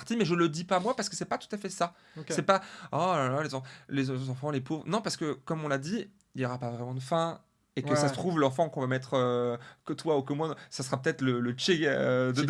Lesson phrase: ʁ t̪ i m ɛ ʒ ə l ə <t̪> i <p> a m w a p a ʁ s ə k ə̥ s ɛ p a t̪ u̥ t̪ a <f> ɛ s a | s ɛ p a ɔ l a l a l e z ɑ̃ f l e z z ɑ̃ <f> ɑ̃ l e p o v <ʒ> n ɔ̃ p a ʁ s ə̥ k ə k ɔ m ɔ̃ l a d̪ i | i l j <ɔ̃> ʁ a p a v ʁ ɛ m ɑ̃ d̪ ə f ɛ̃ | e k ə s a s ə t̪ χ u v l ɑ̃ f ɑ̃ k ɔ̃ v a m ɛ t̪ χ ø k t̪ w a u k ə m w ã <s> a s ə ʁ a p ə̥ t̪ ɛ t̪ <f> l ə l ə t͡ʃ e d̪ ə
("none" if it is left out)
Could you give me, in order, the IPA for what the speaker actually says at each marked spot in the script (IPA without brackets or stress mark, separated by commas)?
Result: d̪, p, f, f, ʁ, ɔ, s, χ